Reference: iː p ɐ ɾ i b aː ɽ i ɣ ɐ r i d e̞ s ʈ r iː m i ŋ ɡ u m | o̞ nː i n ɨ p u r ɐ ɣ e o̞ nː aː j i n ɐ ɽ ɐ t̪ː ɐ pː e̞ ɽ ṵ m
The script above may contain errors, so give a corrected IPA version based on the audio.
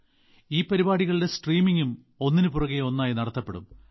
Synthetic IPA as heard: iː p ɐ ɾ i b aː ɽ i ɣ ɐ ɭ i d e̞ s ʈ r iː m i ŋ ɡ u m | o̞ nː i n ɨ p u r ɐ ɣ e o̞ nː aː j i n ɐ ɽ ɐ t̪ː ɐ pː e̞ ɽ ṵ m